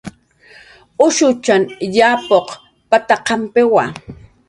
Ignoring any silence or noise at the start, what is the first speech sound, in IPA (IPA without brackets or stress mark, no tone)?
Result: ʊ